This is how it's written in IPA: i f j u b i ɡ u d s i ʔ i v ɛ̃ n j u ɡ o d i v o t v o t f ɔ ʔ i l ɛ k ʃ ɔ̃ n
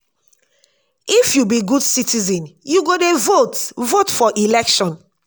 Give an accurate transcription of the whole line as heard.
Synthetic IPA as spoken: i f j u b i ɡ u d s i t i z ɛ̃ n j u ɡ o d e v o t v o t f ɔ ʔ i l ɛ k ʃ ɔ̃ n